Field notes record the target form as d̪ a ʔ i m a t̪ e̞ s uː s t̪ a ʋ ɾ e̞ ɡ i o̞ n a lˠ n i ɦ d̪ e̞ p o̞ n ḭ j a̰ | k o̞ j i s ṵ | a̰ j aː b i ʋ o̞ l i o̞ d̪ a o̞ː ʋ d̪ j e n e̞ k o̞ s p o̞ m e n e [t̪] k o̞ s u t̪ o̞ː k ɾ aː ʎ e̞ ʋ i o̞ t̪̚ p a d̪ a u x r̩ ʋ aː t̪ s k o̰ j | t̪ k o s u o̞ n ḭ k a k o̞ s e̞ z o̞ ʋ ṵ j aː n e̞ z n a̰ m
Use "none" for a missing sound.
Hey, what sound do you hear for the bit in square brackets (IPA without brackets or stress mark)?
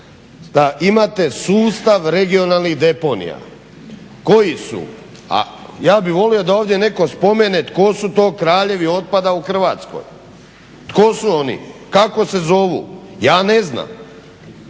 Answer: t̪